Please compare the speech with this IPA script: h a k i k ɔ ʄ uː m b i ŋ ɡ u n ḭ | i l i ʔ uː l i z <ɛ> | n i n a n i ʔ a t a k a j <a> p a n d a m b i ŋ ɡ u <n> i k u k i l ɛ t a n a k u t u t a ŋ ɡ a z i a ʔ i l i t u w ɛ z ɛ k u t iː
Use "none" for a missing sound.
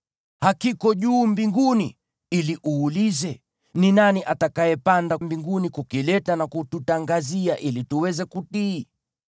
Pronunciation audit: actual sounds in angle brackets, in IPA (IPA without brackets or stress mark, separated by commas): ɛ, ɛ, n